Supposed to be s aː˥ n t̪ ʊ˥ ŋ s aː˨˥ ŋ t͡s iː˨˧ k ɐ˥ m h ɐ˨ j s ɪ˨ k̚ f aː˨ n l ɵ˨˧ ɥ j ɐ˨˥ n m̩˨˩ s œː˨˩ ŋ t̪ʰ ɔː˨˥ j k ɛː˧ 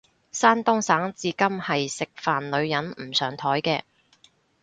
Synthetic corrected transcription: s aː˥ n t̪ ʊ˥ ŋ s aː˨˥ ŋ t͡s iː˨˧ k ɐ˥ m h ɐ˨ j s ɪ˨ k̚ f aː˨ n l ɵ˨˧ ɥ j ɐ˨˥ n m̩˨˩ s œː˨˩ ŋ t̪ʰ ɔː˨˥ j k ɛː˧